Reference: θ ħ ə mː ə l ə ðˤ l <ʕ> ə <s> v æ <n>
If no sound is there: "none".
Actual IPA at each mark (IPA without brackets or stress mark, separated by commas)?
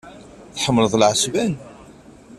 ʕ, s, n